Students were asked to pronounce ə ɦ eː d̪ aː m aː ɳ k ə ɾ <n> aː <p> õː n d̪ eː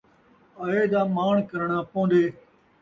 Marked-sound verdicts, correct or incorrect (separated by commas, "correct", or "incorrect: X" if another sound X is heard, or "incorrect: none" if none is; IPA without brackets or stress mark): incorrect: ɳ, correct